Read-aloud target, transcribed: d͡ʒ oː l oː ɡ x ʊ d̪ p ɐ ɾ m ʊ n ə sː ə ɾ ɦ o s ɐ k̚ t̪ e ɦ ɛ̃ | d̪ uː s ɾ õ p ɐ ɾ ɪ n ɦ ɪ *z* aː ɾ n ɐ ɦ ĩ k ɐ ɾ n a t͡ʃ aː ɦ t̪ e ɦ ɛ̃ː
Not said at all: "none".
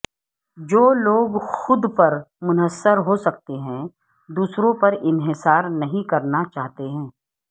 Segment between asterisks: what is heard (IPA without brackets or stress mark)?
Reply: s